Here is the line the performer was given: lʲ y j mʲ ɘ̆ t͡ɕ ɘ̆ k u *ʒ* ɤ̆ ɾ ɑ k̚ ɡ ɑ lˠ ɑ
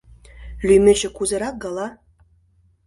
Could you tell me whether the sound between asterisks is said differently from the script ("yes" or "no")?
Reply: yes